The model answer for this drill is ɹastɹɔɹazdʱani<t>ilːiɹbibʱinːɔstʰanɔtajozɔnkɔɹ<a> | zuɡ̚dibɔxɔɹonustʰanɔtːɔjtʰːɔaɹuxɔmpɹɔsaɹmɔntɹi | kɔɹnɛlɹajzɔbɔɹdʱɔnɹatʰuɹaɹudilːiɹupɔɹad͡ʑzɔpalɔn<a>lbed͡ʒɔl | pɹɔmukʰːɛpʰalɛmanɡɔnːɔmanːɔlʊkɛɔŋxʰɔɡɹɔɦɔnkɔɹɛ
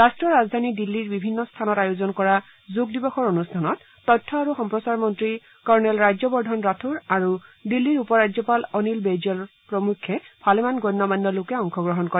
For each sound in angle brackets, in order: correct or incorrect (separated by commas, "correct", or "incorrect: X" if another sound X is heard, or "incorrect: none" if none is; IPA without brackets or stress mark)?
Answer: incorrect: d, correct, incorrect: i